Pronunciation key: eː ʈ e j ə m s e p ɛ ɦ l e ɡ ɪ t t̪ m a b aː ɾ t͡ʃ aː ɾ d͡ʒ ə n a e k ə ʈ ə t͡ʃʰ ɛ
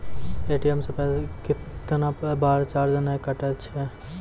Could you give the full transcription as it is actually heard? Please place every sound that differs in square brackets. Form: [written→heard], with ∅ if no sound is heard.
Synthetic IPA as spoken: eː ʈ [e→i] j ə m s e p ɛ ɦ l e [ɡ→k] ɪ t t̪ [m→n] a b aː ɾ t͡ʃ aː ɾ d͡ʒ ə n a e k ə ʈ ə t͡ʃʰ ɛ